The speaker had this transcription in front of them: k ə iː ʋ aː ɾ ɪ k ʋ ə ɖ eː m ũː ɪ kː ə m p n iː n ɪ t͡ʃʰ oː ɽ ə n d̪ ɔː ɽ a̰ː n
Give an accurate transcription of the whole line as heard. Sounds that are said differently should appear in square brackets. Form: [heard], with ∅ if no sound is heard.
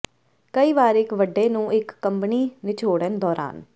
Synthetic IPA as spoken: k ə iː ʋ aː ɾ ɪ k ʋ ə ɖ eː [n] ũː ɪ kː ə m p n iː n ɪ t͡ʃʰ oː ɽ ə n d̪ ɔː [ɾ] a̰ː n